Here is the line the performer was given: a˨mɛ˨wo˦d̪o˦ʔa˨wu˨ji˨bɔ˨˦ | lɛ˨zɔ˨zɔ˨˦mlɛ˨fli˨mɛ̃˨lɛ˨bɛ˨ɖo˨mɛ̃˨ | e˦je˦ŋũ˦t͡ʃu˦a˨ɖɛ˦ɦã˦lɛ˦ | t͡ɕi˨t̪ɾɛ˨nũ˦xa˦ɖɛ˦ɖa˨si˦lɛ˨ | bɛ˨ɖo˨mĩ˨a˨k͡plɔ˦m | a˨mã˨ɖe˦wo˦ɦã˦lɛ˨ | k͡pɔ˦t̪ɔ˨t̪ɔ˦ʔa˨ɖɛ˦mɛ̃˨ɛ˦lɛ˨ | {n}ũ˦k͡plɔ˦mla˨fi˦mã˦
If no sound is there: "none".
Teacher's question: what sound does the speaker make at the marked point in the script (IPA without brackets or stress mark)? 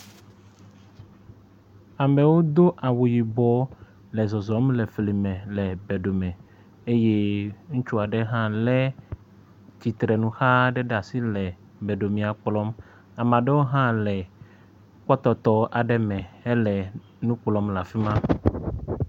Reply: n